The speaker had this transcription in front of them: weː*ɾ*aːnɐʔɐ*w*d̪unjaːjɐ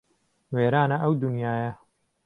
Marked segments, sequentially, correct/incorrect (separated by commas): correct, correct